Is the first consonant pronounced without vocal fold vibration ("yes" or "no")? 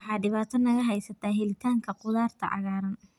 yes